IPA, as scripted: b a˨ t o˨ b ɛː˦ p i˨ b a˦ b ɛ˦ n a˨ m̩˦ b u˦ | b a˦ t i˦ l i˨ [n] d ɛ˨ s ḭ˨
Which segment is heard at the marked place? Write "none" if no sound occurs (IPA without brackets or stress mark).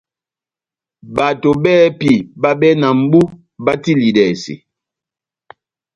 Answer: none